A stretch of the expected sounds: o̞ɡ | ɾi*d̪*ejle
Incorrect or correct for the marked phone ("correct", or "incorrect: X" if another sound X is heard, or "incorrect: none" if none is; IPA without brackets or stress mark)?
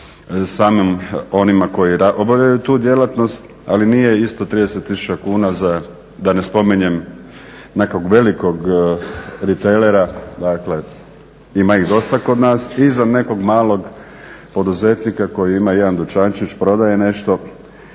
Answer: incorrect: t̪